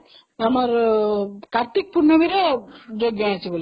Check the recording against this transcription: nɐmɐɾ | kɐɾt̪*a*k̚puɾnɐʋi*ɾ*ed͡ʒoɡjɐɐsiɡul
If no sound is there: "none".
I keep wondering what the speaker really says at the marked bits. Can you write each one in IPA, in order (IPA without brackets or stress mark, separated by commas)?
i, ɾ